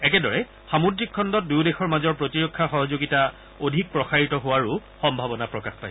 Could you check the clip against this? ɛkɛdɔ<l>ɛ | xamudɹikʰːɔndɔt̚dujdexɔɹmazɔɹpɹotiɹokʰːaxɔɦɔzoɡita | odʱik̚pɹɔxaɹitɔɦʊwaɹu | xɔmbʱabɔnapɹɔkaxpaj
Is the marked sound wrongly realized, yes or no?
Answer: yes